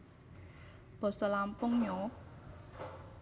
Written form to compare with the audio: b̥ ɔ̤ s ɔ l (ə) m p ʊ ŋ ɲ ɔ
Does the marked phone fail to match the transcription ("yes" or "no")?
yes